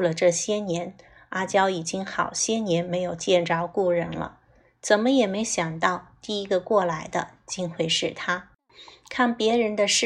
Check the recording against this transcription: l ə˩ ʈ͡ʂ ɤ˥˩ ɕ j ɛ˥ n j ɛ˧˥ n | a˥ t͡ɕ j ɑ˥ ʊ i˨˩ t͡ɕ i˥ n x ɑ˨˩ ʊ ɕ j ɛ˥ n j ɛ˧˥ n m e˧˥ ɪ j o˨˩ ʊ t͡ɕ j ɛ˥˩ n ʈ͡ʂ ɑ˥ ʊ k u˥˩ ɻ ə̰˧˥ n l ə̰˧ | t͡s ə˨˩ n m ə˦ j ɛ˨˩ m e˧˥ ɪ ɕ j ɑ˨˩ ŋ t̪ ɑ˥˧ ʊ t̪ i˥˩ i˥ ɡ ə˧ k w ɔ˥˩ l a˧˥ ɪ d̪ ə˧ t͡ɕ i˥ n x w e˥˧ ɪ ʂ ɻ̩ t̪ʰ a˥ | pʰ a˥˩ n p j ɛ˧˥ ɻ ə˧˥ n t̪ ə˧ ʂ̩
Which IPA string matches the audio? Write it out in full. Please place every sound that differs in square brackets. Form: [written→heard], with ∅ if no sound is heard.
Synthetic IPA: l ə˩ ʈ͡ʂ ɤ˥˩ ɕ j ɛ˥ n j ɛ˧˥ n | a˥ t͡ɕ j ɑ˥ ʊ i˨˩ t͡ɕ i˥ [n→ŋ] x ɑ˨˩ ʊ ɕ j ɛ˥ n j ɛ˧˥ n m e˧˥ ɪ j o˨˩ ʊ t͡ɕ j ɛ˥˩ n ʈ͡ʂ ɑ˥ ʊ k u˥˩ ɻ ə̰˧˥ n l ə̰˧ | t͡s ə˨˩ n m ə˦ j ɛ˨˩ m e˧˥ ɪ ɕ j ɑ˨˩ ŋ t̪ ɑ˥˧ ʊ t̪ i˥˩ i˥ ɡ ə˧ k w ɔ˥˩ l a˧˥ ɪ d̪ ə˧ t͡ɕ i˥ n x w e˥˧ ɪ ʂ ɻ̩ t̪ʰ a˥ | [pʰ→kʰ] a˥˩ n p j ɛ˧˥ ɻ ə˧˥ n [t̪→d̪] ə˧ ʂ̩